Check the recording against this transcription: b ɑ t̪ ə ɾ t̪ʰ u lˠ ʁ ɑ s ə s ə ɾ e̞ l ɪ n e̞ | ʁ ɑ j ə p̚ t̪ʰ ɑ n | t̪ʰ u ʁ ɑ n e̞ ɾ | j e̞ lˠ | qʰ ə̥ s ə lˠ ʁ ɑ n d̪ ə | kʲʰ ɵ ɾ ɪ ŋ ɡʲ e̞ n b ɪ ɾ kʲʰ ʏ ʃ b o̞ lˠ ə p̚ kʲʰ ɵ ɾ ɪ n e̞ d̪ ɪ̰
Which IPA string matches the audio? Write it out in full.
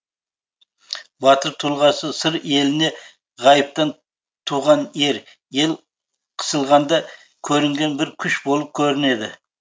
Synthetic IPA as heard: b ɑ t̪ ə ɾ t̪ʰ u lˠ ʁ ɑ s ə s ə ɾ e̞ l ɪ n e̞ | ʁ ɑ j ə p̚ t̪ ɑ n | t̪ʰ u ʁ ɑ n e̞ ɾ | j e̞ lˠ | qʰ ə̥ s ə lˠ ʁ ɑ n d̪ ɑ | kʲʰ ɵ ɾ ɪ ŋ ɡʲ e̞ n b ɪ ɾ kʲʰ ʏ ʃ b o̞ lˠ ə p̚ kʲʰ ɵ ɾ ɪ n e̞ d̪ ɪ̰